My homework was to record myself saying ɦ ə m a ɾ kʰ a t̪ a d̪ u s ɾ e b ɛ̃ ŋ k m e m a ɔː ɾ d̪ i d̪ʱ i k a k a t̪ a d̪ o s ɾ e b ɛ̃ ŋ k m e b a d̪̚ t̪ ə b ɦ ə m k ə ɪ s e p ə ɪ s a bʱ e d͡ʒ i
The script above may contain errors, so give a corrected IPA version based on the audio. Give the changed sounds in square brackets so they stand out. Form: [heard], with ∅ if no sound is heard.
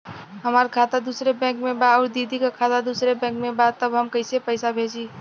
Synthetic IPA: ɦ ə m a ɾ kʰ a t̪ a d̪ u s ɾ e b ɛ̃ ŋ k m e [b] a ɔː ɾ d̪ i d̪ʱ i k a [kʰ] a t̪ a d̪ [u] s ɾ e b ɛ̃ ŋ k m e b a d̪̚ t̪ ə b ɦ ə m k ə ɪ s e p ə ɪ s a bʱ e d͡ʒ i